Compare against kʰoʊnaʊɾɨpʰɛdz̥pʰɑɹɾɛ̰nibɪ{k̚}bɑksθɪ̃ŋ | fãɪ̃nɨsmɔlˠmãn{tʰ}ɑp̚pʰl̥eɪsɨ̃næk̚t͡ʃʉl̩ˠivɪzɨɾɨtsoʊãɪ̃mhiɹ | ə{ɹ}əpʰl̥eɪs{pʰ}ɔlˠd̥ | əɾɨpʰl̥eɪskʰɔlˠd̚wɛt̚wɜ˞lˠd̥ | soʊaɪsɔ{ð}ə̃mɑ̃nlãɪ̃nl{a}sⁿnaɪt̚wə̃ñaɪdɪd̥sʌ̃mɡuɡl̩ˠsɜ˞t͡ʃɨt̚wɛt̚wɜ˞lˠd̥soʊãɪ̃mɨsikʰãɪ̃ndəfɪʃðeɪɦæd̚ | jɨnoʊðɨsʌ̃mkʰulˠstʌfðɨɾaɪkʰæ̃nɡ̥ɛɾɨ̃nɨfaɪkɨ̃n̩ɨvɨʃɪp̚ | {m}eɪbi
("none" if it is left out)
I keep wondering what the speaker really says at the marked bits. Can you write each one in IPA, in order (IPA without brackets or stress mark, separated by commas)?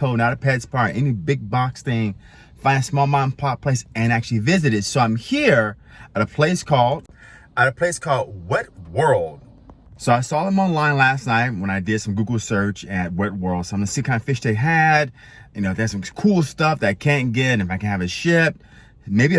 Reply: ɡ̚, pʰ, ɾ, kʰ, ð, æ, m